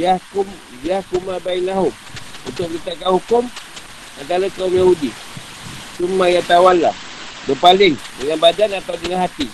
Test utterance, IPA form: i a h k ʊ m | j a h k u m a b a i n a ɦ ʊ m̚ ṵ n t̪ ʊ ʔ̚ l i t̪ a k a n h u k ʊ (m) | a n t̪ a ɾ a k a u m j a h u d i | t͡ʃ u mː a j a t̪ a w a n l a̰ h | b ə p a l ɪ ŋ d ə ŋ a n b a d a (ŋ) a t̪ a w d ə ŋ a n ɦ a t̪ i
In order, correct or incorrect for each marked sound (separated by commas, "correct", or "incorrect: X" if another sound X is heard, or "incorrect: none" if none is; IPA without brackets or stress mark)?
correct, incorrect: n